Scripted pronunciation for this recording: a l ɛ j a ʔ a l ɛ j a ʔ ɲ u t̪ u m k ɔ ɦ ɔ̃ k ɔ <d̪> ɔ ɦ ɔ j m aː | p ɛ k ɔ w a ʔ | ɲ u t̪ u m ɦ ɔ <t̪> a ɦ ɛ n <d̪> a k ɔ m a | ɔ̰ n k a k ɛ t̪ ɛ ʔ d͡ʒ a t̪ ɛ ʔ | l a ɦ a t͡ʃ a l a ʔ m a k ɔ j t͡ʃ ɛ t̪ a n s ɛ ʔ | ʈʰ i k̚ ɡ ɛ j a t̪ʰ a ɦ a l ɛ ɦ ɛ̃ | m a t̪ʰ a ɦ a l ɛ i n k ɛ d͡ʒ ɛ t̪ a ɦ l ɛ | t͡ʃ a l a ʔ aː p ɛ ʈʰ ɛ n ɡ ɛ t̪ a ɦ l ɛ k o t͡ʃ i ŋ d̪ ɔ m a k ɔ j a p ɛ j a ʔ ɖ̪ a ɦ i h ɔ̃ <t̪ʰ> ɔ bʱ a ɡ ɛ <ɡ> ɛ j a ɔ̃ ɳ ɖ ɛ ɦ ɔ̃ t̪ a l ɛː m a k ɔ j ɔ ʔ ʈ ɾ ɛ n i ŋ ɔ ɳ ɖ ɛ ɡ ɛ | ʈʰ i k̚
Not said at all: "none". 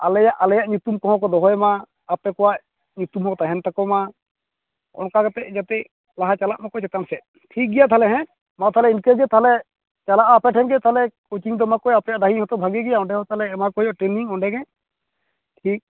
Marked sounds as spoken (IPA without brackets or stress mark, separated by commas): d̪, t̪, t̪, t̪, ɡ